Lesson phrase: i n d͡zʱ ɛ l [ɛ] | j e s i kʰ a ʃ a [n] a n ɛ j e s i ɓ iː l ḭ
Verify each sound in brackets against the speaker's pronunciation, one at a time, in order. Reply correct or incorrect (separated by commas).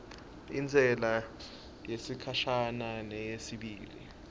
incorrect, correct